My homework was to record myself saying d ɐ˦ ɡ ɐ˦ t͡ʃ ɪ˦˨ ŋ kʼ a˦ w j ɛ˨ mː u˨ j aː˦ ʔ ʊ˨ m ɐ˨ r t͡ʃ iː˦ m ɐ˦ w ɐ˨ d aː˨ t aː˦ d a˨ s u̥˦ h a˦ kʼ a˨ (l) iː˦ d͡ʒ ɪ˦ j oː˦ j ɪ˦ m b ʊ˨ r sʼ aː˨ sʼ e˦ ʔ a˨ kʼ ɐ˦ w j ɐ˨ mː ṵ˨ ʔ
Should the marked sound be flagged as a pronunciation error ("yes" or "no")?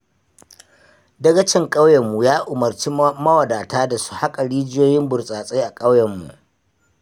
yes